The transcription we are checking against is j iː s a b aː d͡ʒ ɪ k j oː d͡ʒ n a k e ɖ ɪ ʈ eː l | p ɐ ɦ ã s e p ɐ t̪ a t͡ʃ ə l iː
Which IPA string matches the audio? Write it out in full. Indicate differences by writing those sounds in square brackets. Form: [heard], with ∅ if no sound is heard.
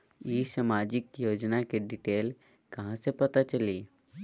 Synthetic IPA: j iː s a [m] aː d͡ʒ ɪ k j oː d͡ʒ n a k e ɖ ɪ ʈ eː l | [k] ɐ ɦ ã s e p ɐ t̪ a t͡ʃ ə l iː